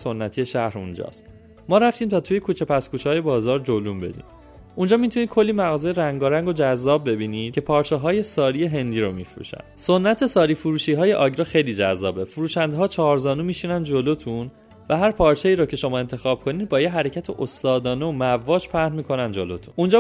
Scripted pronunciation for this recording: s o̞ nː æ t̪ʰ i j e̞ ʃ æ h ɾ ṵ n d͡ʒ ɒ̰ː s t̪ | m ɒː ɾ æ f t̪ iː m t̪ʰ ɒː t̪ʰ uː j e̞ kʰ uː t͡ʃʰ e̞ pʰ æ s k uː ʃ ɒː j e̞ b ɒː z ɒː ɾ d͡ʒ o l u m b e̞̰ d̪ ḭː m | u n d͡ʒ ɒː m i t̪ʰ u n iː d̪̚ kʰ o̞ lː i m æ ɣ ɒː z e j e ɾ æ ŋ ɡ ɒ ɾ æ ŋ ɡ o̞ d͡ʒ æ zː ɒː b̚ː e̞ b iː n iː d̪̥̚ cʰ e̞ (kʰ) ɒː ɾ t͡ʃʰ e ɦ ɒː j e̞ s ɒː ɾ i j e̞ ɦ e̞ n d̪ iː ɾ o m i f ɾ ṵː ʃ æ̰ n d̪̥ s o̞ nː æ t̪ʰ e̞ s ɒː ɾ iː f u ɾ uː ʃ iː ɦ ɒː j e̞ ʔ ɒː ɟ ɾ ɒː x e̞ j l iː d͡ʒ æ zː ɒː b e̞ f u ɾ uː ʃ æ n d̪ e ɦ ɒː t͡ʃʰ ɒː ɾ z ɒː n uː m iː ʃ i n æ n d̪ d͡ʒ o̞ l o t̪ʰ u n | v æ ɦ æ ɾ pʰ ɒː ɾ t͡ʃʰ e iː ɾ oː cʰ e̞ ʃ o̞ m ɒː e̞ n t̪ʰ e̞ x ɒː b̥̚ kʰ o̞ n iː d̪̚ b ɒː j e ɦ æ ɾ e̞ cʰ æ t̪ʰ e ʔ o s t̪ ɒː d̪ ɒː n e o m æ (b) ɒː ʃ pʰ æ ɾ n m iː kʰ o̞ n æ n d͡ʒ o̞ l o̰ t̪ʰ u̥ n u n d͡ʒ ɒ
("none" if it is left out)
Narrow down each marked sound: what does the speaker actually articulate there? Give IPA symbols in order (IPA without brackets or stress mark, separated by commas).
pʰ, v